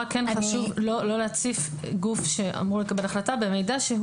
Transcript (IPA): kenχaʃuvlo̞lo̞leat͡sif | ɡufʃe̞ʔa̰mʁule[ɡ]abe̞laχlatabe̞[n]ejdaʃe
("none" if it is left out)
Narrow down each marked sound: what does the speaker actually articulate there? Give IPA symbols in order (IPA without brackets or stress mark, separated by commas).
k, m